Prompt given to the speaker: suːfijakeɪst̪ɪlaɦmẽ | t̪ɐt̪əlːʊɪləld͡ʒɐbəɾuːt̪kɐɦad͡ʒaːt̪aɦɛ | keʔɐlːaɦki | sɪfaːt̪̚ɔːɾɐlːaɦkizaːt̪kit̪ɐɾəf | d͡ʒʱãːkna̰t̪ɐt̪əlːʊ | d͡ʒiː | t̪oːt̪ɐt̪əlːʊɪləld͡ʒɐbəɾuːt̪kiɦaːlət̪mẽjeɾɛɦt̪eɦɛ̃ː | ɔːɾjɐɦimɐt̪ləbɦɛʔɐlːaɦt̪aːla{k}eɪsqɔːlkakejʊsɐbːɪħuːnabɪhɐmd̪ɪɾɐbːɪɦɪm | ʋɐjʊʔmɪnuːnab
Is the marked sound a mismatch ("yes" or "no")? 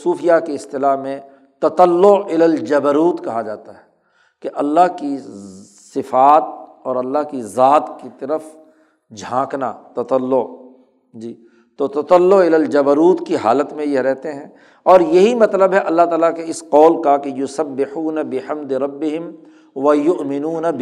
no